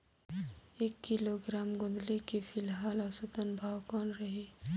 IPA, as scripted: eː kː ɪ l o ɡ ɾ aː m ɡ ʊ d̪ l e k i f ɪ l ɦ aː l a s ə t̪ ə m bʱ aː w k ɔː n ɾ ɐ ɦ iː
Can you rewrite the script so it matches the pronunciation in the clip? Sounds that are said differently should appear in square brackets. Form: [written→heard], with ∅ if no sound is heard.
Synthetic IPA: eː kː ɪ l o ɡ ɾ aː m ɡ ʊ d̪ l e k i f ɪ l ɦ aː l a s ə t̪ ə [m→n] bʱ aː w k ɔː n ɾ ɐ ɦ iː